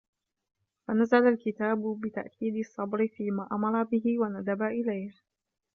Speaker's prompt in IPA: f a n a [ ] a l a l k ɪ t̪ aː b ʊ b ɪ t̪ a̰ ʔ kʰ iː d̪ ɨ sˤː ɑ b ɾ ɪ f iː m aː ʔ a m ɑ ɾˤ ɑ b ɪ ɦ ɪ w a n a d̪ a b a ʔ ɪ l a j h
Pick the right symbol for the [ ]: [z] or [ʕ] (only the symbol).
z